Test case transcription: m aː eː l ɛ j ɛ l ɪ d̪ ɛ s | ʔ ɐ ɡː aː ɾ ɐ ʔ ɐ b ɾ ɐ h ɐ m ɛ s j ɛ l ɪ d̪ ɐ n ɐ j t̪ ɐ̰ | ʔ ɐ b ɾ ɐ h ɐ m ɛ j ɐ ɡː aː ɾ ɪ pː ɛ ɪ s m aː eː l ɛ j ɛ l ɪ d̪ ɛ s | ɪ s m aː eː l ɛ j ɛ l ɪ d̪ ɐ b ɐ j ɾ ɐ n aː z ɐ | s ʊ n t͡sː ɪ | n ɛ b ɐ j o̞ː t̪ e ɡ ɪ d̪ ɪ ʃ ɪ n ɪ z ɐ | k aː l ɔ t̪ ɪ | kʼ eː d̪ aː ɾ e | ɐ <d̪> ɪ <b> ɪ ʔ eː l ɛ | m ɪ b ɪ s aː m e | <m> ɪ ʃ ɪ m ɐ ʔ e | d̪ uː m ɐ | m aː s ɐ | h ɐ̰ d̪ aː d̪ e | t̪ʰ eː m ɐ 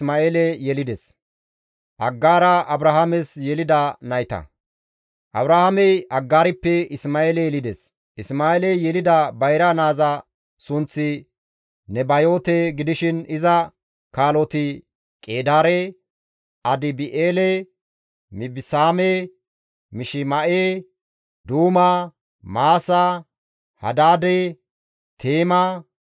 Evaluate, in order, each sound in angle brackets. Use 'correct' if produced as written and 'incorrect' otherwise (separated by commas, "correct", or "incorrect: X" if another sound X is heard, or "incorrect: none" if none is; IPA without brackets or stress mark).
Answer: correct, correct, correct